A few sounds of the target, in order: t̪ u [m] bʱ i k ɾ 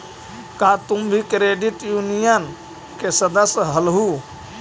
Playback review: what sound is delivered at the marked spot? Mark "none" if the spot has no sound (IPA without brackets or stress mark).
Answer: m